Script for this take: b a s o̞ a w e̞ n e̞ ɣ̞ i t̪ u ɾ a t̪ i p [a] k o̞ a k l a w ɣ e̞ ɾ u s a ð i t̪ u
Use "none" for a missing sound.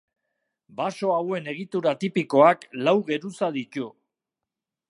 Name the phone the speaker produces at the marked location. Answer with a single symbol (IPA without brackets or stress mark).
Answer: i